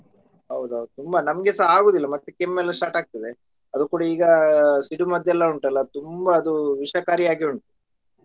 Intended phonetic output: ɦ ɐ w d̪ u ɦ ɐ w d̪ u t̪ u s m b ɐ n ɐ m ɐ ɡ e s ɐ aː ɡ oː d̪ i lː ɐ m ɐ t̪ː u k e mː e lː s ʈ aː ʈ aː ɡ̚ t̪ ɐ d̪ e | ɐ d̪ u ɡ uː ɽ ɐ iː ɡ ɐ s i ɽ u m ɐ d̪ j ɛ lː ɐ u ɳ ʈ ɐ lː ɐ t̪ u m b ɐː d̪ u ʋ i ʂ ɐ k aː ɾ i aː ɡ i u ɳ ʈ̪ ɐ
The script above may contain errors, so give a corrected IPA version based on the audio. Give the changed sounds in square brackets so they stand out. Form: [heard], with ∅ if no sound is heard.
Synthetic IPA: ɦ ɐ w d̪ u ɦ ɐ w d̪ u t̪ u [∅] m b ɐ n ɐ m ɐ ɡ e s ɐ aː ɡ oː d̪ i lː ɐ m ɐ t̪ː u k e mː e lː s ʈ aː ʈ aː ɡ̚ t̪ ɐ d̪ e | ɐ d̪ u [k] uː ɽ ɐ iː ɡ ɐ s i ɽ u m ɐ d̪ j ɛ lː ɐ u ɳ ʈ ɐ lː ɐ t̪ u m b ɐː d̪ u ʋ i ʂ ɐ k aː ɾ i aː ɡ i u ɳ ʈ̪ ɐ